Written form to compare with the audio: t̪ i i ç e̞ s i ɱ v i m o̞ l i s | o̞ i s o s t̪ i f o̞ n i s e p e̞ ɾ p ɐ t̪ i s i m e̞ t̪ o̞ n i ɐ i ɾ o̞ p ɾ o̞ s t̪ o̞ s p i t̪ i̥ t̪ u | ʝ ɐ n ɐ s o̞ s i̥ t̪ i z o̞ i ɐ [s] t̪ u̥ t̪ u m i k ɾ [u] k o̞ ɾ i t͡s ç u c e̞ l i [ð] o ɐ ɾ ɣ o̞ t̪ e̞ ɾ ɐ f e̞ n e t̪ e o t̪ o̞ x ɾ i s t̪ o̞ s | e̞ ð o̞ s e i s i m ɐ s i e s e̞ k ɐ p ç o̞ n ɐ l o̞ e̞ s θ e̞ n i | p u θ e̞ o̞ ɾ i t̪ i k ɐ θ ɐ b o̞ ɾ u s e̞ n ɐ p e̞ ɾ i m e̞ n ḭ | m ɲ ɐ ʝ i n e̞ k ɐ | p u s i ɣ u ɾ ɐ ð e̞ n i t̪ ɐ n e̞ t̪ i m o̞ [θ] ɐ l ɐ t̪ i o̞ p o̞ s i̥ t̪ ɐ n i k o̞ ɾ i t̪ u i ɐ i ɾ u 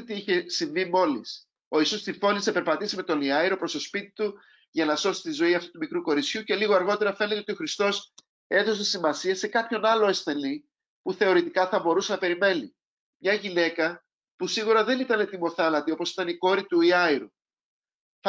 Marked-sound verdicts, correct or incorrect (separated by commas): incorrect, correct, incorrect, correct